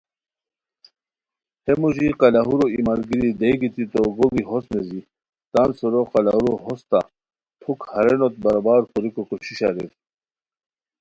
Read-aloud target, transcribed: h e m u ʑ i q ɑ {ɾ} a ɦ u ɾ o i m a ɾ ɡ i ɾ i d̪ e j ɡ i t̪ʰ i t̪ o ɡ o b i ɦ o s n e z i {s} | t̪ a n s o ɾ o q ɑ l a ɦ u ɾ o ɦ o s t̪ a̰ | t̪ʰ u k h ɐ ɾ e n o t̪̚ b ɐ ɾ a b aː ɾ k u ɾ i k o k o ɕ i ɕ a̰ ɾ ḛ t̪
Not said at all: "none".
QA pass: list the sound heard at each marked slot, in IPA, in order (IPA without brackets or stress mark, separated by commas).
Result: l, none